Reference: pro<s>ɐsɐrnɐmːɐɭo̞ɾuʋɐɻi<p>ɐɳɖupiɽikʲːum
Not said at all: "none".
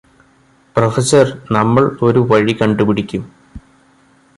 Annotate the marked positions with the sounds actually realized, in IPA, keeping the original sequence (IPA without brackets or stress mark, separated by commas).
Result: f, k